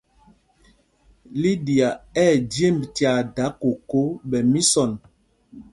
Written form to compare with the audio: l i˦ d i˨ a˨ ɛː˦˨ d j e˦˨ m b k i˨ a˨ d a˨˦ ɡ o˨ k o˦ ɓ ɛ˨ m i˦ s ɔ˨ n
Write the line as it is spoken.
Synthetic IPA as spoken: l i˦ d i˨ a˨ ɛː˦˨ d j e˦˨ m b t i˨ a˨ d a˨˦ k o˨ k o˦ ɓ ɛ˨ m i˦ s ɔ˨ n